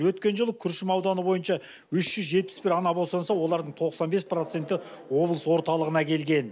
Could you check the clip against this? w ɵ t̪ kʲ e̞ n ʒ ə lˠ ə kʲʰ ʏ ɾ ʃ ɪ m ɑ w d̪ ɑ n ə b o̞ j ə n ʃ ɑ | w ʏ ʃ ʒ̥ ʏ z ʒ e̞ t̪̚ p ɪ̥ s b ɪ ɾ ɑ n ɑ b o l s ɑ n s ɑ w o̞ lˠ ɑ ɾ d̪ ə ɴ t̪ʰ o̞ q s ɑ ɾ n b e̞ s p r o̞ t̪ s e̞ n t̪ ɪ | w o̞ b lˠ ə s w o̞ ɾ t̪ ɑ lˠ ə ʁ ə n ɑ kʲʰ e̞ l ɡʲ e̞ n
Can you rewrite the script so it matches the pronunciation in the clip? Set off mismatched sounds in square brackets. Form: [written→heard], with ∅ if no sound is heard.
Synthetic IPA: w ɵ t̪ kʲ e̞ n ʒ ə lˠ ə kʲʰ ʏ ɾ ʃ ɪ m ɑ w d̪ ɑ n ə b o̞ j ə n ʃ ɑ | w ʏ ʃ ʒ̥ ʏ z ʒ e̞ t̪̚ p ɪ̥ s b ɪ ɾ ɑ n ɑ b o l s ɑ n s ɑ w o̞ lˠ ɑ ɾ d̪ ə ɴ t̪ʰ o̞ q s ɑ [ɾ→∅] n b e̞ s p r o̞ t̪ s e̞ n t̪ ɪ | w o̞ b lˠ ə s w o̞ ɾ t̪ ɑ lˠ ə ʁ ə n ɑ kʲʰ e̞ l ɡʲ e̞ n